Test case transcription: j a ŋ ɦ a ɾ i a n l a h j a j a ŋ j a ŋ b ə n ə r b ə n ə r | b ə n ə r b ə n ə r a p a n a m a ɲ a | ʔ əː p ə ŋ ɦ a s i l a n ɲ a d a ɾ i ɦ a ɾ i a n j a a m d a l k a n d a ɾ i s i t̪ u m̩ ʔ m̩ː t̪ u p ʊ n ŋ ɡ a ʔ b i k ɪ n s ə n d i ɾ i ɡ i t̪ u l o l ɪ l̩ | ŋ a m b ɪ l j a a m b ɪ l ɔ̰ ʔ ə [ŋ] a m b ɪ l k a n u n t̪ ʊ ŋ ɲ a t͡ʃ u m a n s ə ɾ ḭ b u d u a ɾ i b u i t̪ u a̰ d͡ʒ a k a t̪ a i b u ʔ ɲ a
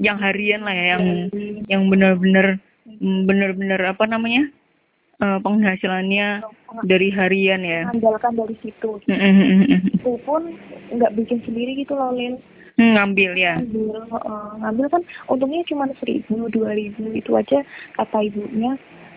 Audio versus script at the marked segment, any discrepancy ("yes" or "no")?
no